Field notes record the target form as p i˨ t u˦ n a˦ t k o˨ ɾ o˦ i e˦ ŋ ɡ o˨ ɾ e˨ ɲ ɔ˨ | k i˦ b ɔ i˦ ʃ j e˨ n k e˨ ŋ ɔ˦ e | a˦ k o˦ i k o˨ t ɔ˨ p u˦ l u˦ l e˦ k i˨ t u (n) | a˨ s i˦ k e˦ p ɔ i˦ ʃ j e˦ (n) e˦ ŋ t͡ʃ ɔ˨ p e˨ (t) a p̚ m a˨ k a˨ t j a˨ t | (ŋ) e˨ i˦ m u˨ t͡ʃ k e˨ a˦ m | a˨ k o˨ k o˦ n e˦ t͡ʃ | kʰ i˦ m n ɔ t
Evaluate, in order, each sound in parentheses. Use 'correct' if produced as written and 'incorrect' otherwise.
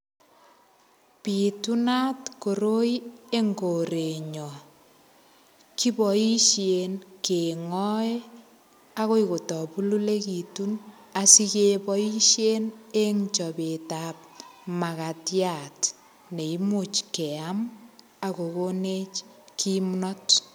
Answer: correct, correct, correct, incorrect

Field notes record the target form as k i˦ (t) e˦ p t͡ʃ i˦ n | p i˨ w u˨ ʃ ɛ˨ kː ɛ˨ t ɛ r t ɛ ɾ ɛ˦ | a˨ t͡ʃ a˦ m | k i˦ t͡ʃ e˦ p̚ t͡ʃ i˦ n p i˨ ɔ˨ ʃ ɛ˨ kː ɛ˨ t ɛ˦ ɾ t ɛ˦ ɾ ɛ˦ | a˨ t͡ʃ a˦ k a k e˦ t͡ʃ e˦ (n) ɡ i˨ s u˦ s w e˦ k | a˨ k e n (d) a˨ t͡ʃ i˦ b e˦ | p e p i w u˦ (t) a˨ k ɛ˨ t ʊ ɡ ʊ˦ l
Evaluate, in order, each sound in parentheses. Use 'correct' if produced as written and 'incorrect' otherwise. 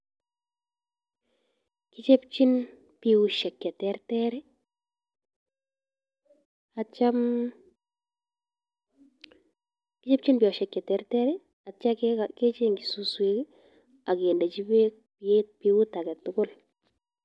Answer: incorrect, incorrect, correct, correct

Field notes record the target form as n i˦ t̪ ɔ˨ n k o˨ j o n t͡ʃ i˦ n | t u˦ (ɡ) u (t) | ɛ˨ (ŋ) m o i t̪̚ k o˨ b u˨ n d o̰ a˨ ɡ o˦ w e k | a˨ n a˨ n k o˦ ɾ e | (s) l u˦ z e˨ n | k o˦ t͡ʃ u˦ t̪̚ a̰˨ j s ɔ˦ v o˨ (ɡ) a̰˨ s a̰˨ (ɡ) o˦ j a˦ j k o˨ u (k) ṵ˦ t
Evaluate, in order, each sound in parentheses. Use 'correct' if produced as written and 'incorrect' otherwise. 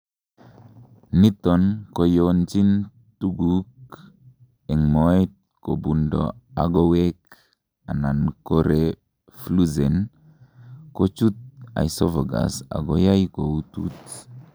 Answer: correct, incorrect, correct, incorrect, correct, correct, incorrect

